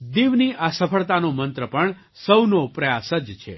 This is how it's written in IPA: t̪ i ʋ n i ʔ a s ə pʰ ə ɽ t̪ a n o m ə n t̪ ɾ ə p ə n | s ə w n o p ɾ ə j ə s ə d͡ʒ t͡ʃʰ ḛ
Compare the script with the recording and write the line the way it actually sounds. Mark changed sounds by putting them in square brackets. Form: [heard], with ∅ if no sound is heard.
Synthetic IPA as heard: [d̪] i ʋ n i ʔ a s ə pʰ ə [ɭ] t̪ a n o m ə n t̪ ɾ ə p ə [ɳ] | s ə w n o p ɾ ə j [a] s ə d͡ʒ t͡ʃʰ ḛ